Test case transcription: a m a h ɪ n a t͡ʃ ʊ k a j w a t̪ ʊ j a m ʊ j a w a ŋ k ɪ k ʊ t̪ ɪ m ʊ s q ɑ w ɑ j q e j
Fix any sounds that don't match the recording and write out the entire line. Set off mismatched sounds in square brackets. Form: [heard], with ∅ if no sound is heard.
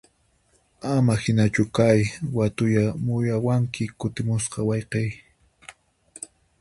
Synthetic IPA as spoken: a m a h ɪ n a t͡ʃ ʊ k a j w a t̪ ʊ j a m ʊ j a w a ŋ k ɪ k ʊ t̪ ɪ m ʊ s q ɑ w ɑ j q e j